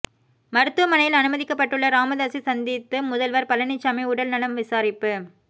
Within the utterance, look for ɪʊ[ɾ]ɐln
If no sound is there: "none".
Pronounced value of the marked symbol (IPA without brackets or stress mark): ɽ